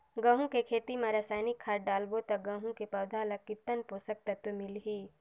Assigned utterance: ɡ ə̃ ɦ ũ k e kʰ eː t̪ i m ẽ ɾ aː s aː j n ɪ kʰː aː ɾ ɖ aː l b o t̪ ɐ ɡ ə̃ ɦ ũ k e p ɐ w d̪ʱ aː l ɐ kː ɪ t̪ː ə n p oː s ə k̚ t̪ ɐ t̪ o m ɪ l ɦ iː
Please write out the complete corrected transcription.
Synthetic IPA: ɡ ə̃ ɦ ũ k e kʰ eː t̪ i m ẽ ɾ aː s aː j n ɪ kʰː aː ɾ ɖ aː l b o t̪ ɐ ɡ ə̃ ɦ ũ k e p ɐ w d̪ʱ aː l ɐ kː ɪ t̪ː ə n p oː s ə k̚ t̪ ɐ t̪ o m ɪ l ɦ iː